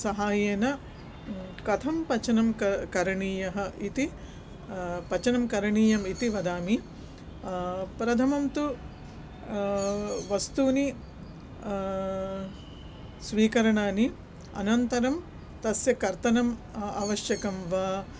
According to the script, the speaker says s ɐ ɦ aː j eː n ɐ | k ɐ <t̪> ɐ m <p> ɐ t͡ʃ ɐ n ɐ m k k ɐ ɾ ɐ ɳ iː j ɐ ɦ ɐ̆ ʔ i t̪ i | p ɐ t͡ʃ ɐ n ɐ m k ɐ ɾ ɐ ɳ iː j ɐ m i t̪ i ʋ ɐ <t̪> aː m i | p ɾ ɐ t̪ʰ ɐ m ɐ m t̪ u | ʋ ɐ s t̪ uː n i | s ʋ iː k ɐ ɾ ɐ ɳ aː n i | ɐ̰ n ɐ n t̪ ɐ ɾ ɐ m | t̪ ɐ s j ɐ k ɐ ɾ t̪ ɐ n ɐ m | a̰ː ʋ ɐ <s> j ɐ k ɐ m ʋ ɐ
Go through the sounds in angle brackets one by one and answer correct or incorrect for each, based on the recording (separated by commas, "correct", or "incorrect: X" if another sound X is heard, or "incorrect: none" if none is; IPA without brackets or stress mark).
incorrect: t̪ʰ, correct, incorrect: d̪, incorrect: ʃ